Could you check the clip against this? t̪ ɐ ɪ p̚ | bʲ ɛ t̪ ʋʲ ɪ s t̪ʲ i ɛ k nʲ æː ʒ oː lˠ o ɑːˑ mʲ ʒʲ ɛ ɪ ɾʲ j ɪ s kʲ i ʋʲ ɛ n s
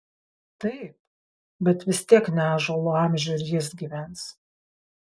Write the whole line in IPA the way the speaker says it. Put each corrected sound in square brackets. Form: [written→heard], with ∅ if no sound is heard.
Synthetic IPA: t̪ ɐ ɪ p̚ | bʲ ɛ t̪ ʋʲ ɪ s t̪ʲ i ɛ k nʲ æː ʒ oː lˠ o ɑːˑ mʲ ʒʲ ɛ ɪ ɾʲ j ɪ s [kʲ→ɡʲ] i ʋʲ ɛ n s